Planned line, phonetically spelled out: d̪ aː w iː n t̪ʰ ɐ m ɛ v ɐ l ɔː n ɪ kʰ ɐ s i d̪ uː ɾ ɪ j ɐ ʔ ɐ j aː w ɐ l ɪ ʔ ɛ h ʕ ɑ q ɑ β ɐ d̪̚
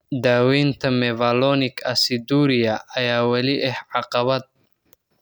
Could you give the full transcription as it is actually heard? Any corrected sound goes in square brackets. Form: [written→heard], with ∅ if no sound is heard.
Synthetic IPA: d̪ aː w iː n t̪ʰ ɐ m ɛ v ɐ l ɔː n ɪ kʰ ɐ s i d̪ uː ɾ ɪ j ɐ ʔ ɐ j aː w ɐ l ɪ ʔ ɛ h ʕ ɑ q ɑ β ɐ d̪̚